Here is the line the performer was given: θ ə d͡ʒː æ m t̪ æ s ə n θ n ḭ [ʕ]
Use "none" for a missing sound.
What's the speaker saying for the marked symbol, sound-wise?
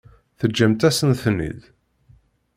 ð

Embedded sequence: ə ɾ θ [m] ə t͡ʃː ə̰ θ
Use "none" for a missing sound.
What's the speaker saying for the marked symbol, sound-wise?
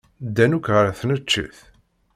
n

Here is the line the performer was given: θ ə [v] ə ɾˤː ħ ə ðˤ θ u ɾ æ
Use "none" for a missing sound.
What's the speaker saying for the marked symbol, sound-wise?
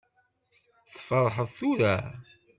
f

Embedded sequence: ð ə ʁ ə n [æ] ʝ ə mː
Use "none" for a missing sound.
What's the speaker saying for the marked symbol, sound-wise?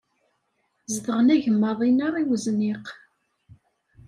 æ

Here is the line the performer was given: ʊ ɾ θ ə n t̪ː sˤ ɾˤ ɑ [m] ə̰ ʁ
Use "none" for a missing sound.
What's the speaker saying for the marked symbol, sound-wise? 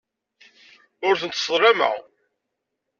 m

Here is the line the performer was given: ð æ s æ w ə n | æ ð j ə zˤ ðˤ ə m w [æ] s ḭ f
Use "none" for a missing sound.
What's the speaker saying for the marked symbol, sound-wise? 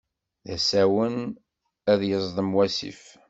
æ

